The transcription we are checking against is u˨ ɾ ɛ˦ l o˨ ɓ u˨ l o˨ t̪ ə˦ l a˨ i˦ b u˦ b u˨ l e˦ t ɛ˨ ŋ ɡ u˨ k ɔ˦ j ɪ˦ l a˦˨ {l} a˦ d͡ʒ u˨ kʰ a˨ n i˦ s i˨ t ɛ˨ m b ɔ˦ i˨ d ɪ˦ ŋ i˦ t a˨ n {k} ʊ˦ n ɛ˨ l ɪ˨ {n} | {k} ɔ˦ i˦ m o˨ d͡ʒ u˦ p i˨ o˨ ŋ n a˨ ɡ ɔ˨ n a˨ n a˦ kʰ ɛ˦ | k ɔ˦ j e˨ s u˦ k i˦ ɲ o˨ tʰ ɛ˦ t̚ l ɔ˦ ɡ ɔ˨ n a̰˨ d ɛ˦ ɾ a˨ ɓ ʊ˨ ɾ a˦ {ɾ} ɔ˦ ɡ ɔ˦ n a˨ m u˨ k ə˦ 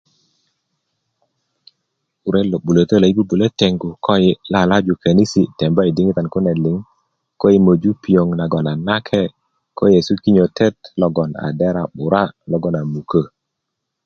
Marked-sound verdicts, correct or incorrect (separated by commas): correct, correct, incorrect, correct, incorrect